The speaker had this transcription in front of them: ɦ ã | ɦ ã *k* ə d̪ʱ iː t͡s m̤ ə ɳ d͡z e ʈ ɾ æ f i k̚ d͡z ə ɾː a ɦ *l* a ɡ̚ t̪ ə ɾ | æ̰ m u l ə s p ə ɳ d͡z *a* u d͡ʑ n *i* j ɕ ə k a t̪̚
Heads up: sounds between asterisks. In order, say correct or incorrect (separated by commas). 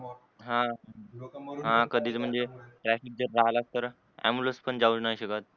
correct, correct, correct, incorrect